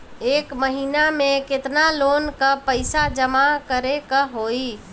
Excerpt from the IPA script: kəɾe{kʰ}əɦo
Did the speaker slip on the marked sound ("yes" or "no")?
yes